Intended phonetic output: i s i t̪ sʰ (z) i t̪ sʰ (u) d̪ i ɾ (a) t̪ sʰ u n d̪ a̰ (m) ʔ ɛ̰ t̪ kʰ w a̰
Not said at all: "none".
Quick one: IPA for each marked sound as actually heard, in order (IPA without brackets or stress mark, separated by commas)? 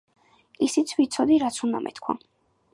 v, ɔ, a, m